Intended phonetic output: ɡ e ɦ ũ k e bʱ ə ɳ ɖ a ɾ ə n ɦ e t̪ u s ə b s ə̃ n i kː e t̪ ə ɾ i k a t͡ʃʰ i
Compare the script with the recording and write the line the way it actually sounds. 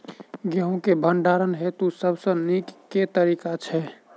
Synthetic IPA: ɡ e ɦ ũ k e bʱ ə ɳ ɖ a ɾ ə n ɦ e t̪ u s ə b s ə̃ n i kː e t̪ ə ɾ i k a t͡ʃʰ ɛ